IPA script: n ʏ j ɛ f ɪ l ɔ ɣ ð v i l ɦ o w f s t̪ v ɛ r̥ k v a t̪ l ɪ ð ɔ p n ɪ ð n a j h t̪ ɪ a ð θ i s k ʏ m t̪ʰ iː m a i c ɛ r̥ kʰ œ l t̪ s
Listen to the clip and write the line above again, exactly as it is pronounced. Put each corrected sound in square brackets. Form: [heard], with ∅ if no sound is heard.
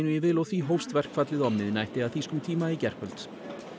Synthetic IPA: n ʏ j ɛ [v] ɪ l ɔ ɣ [θ] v i [∅] ɦ o w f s t̪ v ɛ r̥ k [f] a t̪ l ɪ ð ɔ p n ɪ ð n a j h t̪ ɪ a ð θ i s k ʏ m t̪ʰ iː m a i c ɛ r̥ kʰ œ l t̪ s